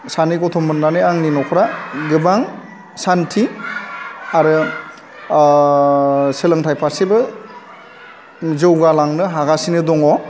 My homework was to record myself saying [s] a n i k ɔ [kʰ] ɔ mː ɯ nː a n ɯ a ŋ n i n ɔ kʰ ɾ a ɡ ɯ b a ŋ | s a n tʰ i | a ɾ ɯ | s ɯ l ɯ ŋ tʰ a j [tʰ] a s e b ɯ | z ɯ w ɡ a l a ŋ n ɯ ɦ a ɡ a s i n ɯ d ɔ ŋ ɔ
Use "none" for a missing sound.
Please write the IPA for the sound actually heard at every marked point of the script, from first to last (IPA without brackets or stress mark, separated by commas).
s, tʰ, pʰ